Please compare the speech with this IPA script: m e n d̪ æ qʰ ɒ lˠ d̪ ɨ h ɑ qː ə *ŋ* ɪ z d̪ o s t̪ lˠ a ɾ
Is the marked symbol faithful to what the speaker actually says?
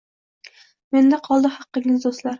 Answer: yes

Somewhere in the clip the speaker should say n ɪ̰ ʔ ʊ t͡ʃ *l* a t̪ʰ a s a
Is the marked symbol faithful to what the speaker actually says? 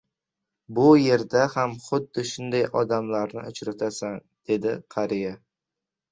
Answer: no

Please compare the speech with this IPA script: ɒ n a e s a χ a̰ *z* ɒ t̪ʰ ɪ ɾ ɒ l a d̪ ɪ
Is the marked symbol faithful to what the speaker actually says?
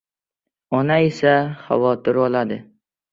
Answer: no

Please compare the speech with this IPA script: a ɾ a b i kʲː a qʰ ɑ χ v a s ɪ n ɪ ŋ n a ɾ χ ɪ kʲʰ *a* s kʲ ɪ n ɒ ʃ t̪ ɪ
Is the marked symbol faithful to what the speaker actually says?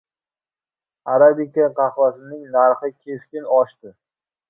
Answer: no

